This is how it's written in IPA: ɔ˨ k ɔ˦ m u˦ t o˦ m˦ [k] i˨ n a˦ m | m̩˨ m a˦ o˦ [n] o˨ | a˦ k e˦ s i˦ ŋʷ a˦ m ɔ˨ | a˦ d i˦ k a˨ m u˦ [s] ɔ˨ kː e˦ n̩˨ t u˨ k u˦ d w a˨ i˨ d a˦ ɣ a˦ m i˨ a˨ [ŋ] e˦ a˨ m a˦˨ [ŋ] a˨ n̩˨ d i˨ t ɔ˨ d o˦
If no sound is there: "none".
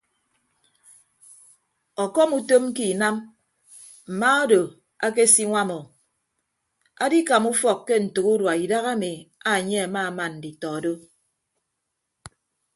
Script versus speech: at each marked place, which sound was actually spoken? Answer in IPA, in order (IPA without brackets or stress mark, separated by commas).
k, d, f, ɲ, m